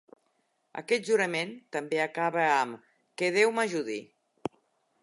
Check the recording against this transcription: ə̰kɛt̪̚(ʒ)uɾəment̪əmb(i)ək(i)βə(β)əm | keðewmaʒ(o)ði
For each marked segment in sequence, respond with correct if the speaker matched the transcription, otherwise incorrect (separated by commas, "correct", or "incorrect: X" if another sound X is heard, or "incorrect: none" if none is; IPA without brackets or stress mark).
correct, incorrect: e, incorrect: a, incorrect: none, incorrect: u